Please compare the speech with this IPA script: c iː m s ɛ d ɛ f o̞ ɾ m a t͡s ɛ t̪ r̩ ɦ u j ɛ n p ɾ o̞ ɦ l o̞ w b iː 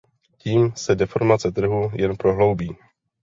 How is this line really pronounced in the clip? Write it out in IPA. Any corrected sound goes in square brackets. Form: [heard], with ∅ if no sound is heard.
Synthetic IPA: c iː m s ɛ d ɛ f o̞ ɾ m a t͡s ɛ t̪ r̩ ɦ u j ɛ n p ɾ o̞ ɦ l o̞ w b iː